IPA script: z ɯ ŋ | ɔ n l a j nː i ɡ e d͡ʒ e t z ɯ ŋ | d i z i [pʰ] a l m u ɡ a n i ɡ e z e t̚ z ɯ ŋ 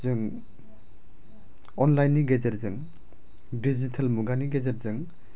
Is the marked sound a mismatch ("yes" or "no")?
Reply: yes